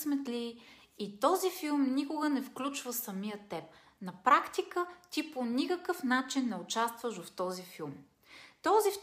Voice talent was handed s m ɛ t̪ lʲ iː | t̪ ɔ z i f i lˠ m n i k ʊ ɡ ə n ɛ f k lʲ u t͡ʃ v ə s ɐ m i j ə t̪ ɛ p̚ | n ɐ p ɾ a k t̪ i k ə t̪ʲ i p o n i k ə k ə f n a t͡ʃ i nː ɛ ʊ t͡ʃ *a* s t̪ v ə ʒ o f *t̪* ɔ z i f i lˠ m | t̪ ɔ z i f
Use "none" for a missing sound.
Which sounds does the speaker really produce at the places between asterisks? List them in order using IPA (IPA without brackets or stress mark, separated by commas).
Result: a, t̪